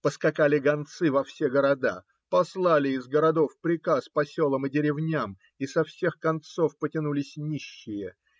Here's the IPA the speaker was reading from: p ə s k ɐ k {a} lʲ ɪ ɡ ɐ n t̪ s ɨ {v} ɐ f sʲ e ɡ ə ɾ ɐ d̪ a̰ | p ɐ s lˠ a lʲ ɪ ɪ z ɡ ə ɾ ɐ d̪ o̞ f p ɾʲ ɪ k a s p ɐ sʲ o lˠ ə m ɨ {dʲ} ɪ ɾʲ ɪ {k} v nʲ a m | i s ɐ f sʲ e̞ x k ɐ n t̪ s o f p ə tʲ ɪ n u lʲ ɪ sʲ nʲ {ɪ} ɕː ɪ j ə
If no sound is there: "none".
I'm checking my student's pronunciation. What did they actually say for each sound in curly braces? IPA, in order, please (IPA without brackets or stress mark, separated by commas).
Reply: a, v, dʲ, none, i